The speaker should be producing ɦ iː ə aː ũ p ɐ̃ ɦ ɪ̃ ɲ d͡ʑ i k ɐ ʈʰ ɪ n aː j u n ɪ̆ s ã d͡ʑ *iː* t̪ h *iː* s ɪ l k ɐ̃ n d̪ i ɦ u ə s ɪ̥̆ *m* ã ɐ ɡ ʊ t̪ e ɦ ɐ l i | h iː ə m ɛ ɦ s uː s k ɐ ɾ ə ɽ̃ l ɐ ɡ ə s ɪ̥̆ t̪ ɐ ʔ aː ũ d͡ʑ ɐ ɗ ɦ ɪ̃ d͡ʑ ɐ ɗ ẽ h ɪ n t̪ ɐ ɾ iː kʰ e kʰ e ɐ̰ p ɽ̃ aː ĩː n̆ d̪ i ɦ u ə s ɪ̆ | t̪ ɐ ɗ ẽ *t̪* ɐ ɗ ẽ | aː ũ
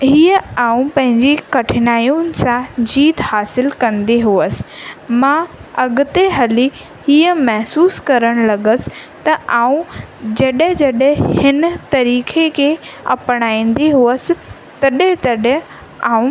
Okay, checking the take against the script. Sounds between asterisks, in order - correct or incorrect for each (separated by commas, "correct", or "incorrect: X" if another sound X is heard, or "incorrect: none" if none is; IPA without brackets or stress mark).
correct, incorrect: aː, correct, correct